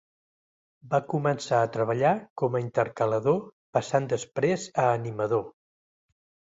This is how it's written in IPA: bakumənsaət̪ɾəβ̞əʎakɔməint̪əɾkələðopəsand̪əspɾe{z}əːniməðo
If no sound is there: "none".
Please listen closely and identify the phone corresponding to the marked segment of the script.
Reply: z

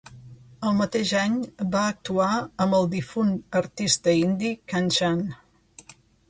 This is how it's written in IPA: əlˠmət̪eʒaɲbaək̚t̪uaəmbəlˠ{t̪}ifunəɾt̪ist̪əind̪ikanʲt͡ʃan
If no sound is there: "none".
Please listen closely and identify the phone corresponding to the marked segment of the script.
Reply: d̪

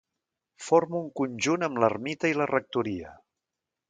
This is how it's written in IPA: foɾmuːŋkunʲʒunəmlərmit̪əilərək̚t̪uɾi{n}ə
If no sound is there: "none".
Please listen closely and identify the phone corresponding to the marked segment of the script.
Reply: none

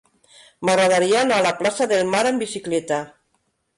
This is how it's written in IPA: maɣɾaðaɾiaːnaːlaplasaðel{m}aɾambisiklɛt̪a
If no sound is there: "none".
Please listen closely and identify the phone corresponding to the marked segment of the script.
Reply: m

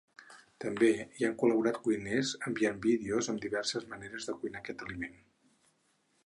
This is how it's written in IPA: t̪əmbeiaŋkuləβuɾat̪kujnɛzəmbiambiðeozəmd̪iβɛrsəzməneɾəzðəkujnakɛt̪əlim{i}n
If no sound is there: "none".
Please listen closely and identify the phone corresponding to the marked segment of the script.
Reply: e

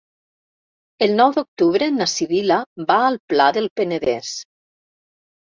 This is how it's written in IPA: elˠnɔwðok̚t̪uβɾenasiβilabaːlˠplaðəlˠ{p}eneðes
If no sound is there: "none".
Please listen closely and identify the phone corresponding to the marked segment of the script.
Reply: p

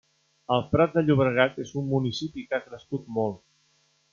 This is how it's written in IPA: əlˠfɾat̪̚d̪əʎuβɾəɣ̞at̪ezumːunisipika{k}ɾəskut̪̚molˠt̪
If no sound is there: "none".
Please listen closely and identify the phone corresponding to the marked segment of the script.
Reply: k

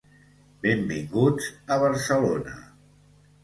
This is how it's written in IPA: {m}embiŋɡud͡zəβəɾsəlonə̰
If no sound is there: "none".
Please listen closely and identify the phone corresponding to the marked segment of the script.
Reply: b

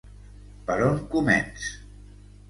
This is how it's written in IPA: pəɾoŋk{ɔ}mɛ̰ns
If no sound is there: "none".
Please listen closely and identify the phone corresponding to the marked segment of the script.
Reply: u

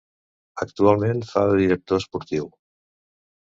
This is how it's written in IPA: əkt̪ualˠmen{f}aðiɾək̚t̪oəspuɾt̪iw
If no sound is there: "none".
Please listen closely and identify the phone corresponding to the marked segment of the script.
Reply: f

